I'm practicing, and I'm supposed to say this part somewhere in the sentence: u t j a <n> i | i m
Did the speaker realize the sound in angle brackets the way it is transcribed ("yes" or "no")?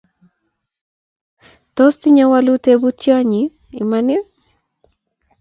no